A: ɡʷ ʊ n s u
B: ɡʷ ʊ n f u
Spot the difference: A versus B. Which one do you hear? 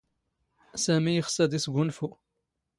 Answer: B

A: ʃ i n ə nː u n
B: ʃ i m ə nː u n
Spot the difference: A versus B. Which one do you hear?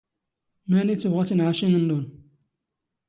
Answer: A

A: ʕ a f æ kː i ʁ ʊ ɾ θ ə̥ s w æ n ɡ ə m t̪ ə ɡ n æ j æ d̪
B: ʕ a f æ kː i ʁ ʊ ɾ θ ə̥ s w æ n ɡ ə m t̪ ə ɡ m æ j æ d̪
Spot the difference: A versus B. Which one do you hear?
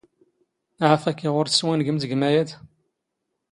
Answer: B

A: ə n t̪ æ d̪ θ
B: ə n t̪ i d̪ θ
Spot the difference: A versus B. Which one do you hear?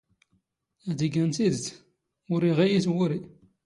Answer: B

